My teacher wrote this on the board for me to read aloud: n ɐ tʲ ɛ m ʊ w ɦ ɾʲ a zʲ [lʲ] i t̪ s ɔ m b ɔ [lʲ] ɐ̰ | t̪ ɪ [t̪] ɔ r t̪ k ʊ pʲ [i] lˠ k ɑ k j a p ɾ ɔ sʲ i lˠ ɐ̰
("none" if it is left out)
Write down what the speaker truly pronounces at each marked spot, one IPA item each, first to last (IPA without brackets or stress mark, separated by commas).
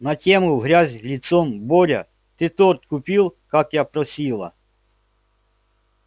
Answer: lʲ, ɾʲ, t̪, i